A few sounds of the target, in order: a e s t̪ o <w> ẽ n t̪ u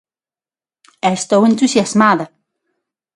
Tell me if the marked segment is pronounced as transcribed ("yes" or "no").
yes